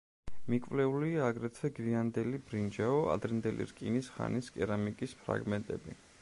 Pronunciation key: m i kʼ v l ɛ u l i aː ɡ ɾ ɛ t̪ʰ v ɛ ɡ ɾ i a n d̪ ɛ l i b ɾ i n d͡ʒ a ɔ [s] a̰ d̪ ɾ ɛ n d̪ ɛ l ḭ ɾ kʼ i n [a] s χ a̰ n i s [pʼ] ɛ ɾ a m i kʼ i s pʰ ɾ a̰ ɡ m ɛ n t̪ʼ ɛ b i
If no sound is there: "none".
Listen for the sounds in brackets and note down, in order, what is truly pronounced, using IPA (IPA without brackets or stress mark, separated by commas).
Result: none, i, kʼ